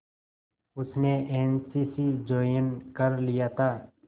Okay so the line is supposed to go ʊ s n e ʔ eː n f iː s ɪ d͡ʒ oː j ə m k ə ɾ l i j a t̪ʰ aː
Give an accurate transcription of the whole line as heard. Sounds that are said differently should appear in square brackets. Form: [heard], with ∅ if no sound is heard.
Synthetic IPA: ʊ s n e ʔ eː n [s] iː s [i] d͡ʒ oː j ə [n] k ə ɾ l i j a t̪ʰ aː